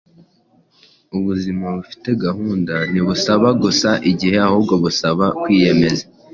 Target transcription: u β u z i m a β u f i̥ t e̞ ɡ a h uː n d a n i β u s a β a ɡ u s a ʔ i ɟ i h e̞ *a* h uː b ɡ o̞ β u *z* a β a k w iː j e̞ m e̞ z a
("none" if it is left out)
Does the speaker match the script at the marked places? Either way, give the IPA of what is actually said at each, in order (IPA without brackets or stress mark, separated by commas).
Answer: a, s